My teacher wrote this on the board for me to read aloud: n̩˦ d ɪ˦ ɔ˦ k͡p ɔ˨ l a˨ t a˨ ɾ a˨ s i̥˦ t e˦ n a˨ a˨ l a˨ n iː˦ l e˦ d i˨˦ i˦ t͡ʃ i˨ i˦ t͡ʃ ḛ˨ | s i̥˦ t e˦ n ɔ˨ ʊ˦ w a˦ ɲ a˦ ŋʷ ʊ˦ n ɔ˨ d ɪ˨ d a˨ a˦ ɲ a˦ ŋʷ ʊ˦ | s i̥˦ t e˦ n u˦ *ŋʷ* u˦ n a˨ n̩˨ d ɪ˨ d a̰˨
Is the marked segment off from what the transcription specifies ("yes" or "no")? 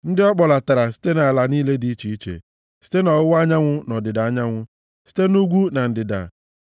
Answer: yes